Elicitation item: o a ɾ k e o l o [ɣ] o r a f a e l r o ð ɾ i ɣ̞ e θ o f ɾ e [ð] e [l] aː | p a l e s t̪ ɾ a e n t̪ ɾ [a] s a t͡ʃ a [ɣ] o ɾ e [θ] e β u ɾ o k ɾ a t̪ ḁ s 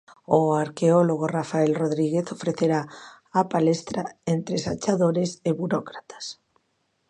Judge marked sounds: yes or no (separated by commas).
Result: yes, no, no, no, no, no